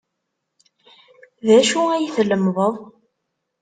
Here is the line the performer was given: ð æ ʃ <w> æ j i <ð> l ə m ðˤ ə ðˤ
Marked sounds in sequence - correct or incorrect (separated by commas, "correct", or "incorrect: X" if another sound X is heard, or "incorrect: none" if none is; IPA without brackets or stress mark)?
incorrect: u, incorrect: θ